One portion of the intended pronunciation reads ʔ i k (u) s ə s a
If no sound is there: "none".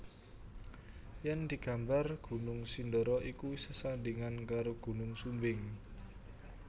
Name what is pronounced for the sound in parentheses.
u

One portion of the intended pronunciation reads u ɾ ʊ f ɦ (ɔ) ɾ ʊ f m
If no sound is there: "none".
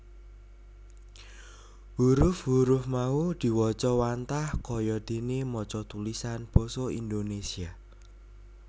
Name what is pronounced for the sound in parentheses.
u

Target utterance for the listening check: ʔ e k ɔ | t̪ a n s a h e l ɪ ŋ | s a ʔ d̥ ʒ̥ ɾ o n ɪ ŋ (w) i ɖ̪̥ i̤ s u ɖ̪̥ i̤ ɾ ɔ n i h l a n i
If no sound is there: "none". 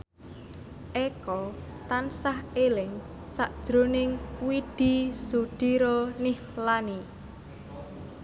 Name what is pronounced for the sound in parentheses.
w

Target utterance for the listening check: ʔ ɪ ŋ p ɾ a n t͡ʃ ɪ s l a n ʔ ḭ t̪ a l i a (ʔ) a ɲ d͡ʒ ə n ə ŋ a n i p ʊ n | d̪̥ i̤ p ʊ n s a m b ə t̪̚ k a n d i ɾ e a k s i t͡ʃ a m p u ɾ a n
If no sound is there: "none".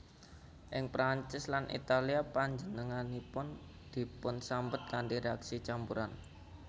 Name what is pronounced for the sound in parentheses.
p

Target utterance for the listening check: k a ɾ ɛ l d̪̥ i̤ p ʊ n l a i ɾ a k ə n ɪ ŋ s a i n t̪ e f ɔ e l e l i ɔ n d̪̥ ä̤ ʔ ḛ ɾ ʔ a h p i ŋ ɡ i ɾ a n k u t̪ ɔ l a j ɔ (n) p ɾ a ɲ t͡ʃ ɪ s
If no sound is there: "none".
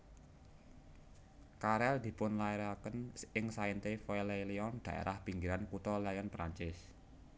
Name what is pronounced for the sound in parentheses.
n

